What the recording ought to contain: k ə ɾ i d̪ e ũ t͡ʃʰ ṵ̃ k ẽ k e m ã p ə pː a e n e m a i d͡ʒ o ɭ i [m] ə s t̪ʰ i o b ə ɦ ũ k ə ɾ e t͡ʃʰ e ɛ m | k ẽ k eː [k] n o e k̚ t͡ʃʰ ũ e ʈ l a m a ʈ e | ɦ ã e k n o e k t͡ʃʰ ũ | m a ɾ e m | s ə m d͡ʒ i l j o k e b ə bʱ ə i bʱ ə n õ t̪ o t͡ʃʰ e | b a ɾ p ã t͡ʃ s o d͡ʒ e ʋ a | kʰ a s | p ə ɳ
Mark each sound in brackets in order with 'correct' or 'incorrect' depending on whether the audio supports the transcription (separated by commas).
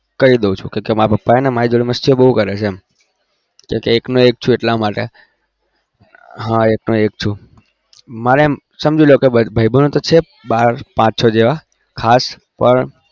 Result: correct, correct